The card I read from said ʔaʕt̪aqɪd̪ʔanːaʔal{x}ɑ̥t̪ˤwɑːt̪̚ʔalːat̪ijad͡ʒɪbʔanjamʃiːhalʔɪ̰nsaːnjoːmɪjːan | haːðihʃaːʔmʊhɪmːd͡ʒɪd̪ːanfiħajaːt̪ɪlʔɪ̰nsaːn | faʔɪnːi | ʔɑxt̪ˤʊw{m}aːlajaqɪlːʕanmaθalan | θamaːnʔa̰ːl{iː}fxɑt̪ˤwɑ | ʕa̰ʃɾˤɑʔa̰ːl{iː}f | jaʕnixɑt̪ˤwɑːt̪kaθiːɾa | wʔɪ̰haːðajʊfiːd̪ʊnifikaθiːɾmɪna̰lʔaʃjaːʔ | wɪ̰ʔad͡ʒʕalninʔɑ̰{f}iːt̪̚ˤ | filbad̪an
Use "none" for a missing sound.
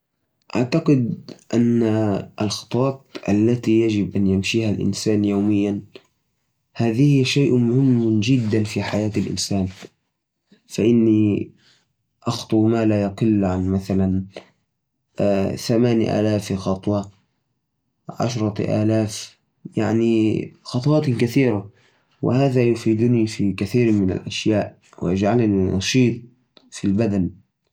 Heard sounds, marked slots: x, m, aː, aː, ʃ

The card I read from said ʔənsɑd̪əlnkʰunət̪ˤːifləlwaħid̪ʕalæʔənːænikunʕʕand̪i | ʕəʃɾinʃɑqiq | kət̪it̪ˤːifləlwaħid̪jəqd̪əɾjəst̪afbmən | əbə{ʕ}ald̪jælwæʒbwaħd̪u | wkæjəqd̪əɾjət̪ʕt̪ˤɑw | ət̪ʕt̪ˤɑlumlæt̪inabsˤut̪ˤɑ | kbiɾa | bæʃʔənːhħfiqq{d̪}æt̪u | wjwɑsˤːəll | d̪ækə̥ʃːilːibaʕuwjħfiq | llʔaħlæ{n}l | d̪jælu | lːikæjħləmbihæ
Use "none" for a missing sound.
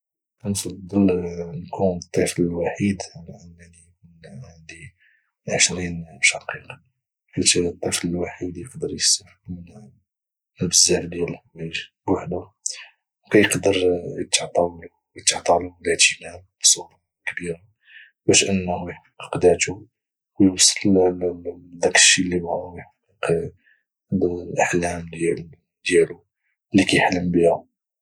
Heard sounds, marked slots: z, d̪, m

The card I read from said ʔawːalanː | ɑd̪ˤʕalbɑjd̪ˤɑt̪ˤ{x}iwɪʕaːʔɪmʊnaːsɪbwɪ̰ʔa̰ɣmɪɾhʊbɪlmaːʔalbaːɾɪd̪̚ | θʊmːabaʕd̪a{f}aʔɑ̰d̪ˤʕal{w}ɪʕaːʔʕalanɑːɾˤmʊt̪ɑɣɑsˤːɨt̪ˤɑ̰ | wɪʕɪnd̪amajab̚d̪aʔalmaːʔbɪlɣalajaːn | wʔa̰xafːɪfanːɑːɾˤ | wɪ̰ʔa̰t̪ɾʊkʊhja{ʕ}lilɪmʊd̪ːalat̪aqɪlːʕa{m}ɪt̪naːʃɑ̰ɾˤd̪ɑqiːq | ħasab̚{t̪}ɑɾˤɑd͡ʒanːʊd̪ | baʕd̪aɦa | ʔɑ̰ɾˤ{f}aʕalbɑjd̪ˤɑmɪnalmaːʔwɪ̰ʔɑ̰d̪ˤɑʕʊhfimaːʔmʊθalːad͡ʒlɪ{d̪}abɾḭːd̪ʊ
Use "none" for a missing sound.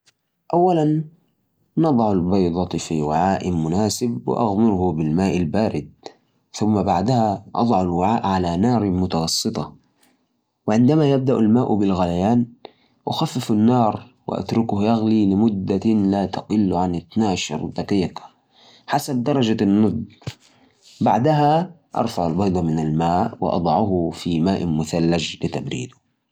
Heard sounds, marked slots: f, h, w, ɣ, n, d̪, f, t̪

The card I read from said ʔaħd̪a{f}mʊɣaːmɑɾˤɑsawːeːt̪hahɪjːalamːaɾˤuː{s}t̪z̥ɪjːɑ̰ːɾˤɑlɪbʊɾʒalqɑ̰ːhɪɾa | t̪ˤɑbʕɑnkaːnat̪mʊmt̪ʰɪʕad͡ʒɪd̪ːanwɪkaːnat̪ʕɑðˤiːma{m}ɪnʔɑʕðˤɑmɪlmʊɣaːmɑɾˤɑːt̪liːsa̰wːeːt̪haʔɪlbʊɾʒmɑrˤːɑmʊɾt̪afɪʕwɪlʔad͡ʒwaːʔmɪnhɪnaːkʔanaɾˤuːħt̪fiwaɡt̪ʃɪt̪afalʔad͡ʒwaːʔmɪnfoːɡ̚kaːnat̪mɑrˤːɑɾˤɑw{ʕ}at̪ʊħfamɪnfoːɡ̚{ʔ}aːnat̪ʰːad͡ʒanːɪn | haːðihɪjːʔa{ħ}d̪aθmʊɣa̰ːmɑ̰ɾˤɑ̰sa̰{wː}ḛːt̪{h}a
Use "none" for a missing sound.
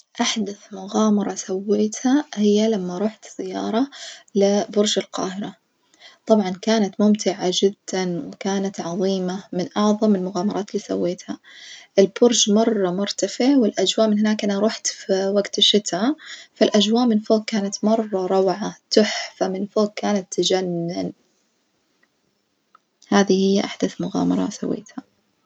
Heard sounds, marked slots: θ, ħ, m, ʕ, k, ħ, wː, h

